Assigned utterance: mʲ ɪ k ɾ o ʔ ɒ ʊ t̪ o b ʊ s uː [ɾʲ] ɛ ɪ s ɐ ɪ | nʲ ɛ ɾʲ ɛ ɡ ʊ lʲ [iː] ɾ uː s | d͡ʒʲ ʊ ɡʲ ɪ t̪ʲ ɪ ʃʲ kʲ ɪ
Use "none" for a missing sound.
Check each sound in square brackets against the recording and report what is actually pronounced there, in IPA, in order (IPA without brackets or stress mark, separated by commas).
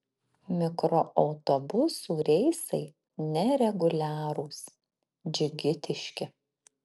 ɾʲ, æː